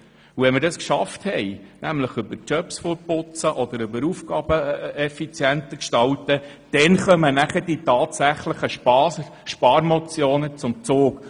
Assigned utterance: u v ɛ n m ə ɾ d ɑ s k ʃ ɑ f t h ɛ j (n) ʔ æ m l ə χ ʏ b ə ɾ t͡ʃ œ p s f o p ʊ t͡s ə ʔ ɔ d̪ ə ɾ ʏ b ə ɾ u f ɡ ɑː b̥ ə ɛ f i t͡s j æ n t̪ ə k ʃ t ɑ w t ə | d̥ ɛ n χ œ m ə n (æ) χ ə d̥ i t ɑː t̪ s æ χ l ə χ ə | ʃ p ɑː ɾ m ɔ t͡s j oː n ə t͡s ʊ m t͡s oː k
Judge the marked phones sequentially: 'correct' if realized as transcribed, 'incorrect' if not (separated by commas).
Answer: correct, correct